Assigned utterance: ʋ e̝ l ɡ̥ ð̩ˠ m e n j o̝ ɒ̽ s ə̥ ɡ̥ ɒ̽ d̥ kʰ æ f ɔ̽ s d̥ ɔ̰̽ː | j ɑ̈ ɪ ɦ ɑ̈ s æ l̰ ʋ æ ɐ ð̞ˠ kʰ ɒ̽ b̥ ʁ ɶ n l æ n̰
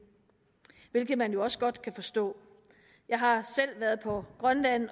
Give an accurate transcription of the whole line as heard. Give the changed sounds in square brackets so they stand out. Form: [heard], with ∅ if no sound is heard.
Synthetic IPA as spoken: ʋ e̝ l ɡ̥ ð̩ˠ m [æ] n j o̝ ɒ̽ s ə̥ ɡ̥ ɒ̽ d̥ kʰ æ f [ɒ̽] s d̥ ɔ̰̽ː | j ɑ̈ ɪ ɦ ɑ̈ s [e] l̰ ʋ æ ɐ ð̞ˠ [pʰ] ɒ̽ [ɡ̥] ʁ ɶ n l æ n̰